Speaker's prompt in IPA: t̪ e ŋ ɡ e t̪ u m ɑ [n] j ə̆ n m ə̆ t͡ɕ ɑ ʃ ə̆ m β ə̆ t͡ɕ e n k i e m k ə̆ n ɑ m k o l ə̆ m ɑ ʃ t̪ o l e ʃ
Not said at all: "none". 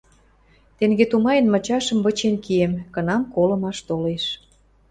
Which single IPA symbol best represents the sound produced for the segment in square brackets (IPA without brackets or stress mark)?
none